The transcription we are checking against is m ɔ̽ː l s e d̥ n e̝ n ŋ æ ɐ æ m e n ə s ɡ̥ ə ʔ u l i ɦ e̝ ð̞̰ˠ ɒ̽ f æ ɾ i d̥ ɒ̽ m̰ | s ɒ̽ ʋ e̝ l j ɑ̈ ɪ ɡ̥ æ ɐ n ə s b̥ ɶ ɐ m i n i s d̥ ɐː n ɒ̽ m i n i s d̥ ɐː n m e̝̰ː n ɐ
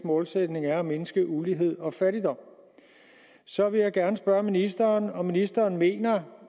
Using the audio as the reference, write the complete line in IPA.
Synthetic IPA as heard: m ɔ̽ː l s e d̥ n e̝ ŋ æ ɐ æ m e n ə s ɡ̥ ə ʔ u l i ɦ e̝ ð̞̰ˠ ɒ̽ f æ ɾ i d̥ ɒ̽ m̰ | s ɒ̽ ʋ e̝ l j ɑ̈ ɪ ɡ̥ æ ɐ n ə s b̥ ɶ ɐ m i n i s d̥ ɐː n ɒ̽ m i n i s d̥ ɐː n m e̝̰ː n ɐ